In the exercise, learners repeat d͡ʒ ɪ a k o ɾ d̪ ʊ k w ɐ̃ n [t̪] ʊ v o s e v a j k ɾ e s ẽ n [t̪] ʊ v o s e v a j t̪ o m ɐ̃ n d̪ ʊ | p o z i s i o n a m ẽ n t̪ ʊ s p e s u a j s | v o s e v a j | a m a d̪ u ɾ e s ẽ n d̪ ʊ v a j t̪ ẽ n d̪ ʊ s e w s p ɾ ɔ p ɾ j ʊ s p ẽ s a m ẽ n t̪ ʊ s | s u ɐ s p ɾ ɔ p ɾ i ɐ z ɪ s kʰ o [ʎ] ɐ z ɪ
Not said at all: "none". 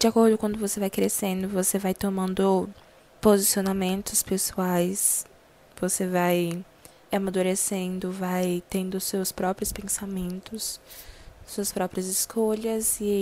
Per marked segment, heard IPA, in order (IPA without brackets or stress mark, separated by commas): d̪, d̪, ʎ